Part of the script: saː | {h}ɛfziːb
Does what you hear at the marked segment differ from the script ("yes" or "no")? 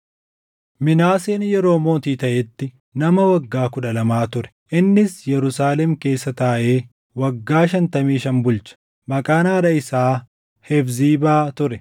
no